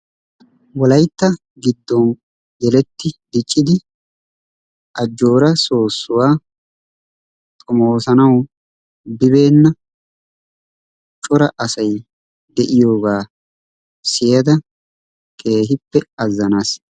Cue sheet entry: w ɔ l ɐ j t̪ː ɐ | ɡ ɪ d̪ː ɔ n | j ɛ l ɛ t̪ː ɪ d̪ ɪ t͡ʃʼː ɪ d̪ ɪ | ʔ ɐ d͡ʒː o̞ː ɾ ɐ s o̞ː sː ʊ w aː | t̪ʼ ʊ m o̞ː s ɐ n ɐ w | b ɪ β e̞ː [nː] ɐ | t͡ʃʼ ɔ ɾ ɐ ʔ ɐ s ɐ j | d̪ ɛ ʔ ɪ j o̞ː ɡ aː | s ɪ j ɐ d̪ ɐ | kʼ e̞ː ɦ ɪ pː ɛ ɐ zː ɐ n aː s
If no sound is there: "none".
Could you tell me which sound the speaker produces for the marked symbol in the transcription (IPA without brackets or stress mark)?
nː